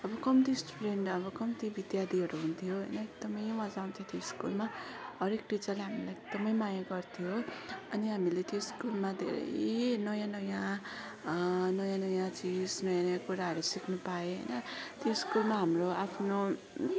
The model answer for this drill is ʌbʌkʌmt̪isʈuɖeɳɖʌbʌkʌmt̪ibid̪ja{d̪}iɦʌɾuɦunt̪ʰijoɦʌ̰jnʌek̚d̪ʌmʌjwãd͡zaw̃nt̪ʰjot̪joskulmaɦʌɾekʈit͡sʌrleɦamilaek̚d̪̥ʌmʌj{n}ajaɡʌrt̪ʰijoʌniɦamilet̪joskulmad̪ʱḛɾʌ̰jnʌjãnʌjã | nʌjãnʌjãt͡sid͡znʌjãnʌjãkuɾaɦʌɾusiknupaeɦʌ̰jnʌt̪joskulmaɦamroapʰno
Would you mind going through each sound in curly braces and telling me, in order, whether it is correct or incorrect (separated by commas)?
correct, incorrect